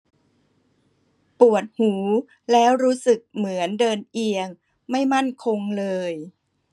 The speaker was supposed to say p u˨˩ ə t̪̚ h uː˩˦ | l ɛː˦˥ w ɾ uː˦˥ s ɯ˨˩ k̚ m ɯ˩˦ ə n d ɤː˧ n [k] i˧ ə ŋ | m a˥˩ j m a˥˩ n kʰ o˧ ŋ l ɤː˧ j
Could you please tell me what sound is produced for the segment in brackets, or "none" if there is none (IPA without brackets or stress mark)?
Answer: ʔ